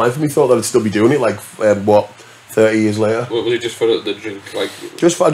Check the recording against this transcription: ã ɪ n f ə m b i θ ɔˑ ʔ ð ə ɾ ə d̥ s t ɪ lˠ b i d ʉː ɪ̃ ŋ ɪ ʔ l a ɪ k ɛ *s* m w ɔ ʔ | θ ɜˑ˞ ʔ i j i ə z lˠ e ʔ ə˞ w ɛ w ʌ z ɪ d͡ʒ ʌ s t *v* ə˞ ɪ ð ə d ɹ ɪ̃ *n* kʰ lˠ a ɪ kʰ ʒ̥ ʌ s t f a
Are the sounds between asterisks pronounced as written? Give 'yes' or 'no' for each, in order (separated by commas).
no, no, no